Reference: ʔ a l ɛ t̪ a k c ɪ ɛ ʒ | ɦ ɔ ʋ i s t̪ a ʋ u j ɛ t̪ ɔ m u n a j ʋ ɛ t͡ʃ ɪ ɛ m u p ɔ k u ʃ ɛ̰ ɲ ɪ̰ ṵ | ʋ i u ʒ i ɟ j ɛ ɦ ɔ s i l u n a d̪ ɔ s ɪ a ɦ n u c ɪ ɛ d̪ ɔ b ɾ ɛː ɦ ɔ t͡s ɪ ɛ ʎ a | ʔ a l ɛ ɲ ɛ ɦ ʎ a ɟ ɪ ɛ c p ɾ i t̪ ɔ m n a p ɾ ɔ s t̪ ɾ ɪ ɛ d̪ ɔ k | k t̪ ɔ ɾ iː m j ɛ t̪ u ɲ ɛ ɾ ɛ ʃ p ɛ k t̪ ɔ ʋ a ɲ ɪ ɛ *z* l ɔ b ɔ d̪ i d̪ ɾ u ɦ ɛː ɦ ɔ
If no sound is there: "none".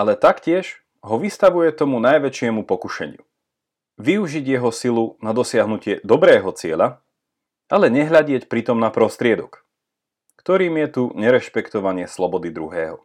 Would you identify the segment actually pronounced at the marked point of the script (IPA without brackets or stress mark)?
s